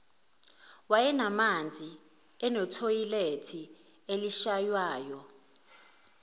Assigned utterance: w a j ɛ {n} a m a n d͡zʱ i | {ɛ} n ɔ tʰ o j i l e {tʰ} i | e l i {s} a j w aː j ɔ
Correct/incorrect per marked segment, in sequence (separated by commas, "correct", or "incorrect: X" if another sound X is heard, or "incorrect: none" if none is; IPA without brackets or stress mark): correct, correct, correct, incorrect: ʃ